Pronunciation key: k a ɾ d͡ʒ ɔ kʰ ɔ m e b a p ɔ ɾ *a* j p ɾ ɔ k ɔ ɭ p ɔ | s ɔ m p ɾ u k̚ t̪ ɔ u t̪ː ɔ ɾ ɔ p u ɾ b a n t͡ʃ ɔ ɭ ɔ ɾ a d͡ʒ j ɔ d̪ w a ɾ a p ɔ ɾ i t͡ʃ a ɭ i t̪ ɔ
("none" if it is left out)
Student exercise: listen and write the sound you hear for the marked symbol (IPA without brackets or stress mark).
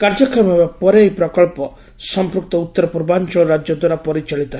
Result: e